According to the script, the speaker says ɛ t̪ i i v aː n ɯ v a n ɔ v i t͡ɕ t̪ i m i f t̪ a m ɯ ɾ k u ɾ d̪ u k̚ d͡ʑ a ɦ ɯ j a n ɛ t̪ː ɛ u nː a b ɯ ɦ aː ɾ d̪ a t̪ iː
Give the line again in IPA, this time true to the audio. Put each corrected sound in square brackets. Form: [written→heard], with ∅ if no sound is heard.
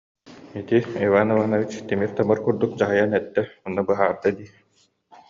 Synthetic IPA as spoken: [ɛ→i] t̪ i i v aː n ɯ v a n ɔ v i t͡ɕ t̪ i m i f t̪ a m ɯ ɾ k u ɾ d̪ u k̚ d͡ʑ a ɦ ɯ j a n ɛ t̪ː ɛ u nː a b ɯ ɦ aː ɾ d̪ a [t̪→d̪] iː